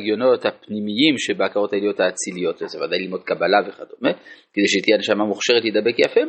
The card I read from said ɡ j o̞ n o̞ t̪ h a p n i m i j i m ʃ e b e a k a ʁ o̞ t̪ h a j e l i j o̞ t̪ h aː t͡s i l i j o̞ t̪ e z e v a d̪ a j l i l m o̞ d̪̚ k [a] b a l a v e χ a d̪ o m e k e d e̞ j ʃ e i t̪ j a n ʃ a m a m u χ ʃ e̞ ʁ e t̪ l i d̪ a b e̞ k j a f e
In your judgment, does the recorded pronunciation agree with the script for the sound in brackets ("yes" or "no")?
yes